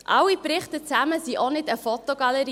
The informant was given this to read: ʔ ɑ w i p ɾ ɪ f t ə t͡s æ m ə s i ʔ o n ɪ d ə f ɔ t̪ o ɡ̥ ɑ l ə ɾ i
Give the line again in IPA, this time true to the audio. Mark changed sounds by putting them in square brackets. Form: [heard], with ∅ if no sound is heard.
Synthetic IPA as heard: ʔ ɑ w i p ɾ ɪ [χ] t ə t͡s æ m ə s i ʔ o n ɪ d ə f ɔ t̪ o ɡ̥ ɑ l ə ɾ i